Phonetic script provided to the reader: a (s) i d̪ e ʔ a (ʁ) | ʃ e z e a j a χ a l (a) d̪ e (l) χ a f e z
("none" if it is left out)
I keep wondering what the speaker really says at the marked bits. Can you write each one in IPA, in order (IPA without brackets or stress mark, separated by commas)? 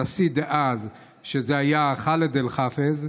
s, z, e, l